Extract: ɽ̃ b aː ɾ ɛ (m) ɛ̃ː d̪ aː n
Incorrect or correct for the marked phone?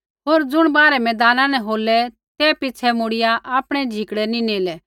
correct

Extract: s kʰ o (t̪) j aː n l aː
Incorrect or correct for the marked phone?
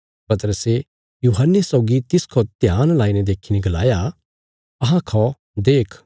correct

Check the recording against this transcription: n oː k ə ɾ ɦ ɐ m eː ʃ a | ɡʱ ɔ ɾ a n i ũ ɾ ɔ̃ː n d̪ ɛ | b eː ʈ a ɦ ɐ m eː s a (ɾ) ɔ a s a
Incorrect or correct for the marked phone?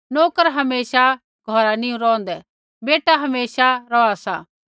correct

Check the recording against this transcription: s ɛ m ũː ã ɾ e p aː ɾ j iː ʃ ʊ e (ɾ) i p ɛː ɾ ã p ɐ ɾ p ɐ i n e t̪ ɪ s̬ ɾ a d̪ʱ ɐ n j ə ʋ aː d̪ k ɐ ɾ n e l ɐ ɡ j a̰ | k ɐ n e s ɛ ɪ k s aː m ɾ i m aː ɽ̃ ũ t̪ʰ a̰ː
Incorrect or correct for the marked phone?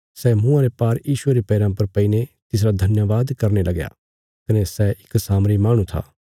correct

